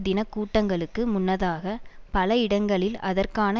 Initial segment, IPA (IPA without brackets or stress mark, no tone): d̪